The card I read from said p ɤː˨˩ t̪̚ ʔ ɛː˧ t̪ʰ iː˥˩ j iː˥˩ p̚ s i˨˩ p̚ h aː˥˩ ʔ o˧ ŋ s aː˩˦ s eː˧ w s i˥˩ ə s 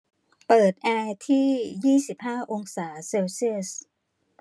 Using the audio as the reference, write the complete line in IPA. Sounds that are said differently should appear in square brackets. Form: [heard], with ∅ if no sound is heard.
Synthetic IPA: p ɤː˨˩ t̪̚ ʔ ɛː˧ t̪ʰ iː˥˩ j iː˥˩ [∅] s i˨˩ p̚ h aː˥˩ ʔ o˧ ŋ s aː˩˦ s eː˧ w s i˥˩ ə s